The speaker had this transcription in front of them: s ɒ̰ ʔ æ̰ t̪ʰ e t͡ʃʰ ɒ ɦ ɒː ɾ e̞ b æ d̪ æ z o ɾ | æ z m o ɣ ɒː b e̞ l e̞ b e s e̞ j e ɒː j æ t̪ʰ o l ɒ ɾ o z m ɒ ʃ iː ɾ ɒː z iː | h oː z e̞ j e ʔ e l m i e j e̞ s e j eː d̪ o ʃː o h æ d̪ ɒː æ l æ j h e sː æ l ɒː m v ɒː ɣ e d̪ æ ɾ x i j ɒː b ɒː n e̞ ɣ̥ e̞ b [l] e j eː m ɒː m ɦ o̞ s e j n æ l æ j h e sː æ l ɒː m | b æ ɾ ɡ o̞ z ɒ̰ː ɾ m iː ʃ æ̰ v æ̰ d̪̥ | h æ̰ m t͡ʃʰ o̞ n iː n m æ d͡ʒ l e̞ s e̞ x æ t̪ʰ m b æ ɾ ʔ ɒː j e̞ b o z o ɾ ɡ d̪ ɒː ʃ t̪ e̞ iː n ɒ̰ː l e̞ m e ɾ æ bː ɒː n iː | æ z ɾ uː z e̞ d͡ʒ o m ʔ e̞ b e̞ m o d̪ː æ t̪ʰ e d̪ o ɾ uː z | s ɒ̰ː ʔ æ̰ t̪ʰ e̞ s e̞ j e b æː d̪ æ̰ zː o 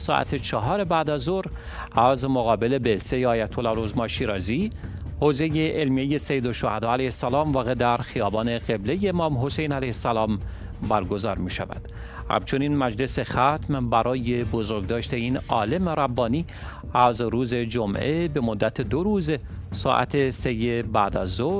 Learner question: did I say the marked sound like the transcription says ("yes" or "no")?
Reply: yes